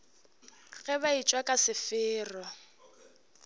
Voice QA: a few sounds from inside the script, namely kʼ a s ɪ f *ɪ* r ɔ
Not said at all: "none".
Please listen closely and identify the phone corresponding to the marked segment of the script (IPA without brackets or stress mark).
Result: ɪː